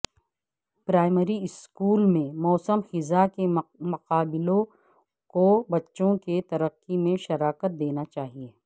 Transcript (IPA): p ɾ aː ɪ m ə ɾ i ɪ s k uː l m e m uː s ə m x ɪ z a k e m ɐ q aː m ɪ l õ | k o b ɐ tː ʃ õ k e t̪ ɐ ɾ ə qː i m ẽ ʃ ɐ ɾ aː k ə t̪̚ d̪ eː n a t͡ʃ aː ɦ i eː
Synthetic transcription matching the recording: p ɾ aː ɪ m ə ɾ i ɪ s k uː l m ẽ m ɔː s ə m x ɪ z a k e m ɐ q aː b ɪ l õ | k o b ɐ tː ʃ õ k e t̪ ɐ ɾ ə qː i m ẽ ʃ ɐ ɾ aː k ə t̪̚ d̪ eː n a t͡ʃ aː ɦ i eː